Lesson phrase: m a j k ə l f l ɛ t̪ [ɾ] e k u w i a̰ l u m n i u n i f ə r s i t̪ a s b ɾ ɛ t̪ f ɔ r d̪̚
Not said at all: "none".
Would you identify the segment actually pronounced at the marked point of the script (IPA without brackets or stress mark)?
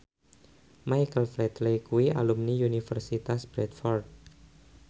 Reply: l